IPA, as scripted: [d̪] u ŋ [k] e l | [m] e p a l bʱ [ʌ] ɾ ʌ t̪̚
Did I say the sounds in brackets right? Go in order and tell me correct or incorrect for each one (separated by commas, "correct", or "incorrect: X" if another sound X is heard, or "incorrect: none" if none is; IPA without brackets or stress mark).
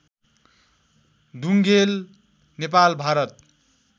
correct, incorrect: ɡ, incorrect: n, incorrect: a